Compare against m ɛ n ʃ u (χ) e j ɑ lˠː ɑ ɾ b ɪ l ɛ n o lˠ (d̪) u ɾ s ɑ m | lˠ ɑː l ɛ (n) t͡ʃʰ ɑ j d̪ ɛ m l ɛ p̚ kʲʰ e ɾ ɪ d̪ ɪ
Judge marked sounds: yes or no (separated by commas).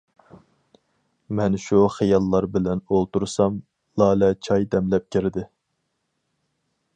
yes, no, no